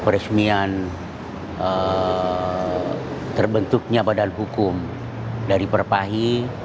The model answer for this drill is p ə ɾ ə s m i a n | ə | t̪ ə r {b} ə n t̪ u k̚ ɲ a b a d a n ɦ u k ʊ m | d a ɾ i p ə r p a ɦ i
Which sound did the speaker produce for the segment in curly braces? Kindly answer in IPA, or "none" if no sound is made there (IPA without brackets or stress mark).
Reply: b